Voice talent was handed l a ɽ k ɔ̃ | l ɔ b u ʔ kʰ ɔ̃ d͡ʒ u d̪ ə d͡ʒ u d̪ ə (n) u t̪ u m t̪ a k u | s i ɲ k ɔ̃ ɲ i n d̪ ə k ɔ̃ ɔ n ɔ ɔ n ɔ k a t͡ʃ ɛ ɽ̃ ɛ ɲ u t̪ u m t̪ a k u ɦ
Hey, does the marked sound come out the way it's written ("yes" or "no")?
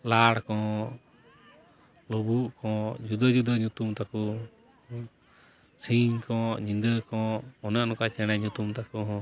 no